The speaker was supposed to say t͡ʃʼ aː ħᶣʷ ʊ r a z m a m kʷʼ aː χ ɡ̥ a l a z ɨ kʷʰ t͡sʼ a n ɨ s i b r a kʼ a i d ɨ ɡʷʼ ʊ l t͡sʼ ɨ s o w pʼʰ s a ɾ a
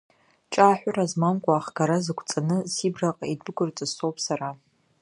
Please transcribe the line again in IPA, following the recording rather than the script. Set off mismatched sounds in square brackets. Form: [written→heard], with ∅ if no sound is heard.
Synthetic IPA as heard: t͡ʃʼ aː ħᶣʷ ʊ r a z m a m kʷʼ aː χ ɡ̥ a [l→ɾ] a z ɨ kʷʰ t͡sʼ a n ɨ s i b r a [kʼ→qʼ] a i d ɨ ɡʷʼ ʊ [l→r] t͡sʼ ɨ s o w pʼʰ s a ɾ a

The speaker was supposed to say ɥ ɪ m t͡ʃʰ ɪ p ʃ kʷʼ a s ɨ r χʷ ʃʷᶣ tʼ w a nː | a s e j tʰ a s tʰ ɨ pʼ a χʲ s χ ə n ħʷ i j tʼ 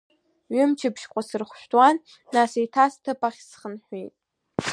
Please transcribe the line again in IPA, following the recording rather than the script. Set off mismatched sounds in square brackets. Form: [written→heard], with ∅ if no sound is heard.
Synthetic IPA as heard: ɥ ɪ m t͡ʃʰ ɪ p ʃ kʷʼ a s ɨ r χʷ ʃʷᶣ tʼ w a nː | a s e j tʰ a s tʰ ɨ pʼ a χʲ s χ ə n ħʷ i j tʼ

